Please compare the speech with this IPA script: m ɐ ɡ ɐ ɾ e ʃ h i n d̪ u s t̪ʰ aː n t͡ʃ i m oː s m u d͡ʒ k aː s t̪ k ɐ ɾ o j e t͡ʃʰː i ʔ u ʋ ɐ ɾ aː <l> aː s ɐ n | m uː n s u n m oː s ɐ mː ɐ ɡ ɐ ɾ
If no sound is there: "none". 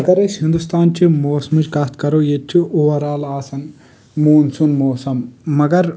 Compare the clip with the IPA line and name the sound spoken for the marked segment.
l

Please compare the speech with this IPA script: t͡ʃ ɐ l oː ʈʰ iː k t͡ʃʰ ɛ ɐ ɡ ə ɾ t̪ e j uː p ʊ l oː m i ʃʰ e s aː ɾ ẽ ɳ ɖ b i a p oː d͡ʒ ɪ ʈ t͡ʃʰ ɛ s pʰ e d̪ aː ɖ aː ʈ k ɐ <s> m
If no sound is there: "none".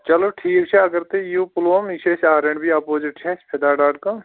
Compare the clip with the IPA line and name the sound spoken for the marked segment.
none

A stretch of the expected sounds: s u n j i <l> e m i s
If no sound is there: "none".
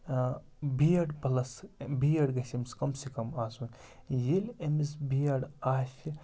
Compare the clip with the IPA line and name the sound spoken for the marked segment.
l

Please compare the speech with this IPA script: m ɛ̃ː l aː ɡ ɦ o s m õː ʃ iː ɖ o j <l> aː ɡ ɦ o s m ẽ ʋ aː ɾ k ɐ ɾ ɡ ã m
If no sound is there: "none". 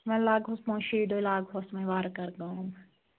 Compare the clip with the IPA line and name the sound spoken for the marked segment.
l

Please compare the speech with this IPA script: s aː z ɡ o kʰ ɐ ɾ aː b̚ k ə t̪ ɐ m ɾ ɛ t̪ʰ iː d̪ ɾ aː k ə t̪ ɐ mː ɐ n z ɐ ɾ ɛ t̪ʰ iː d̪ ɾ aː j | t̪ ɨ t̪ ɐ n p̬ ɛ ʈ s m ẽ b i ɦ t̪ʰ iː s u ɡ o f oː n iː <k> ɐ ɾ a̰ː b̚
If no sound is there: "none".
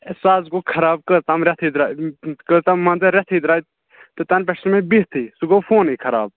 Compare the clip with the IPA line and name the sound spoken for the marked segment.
kʰ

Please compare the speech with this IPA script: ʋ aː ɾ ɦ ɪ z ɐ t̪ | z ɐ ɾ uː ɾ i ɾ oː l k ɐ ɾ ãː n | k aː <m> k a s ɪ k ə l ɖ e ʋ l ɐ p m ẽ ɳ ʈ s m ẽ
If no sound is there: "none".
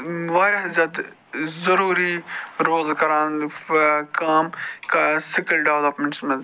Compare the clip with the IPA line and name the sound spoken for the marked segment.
m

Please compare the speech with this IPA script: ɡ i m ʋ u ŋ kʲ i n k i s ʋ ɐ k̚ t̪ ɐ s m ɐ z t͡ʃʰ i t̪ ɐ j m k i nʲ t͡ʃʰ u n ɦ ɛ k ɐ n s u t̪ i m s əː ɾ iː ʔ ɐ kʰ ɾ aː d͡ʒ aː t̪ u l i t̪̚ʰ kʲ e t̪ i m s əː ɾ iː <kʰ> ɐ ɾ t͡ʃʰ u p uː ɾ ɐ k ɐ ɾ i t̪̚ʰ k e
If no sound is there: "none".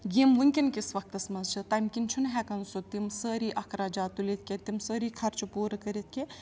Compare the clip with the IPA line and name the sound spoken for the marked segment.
kʰ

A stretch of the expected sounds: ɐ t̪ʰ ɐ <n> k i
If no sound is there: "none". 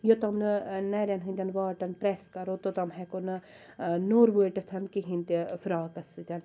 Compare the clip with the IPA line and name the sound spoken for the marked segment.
n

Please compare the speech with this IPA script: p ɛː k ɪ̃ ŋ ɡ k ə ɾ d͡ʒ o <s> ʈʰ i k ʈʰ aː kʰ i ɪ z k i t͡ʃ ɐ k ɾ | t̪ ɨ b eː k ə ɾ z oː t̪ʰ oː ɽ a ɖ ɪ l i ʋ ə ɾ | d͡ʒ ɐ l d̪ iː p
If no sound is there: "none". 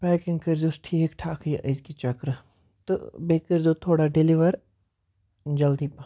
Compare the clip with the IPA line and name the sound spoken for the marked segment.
s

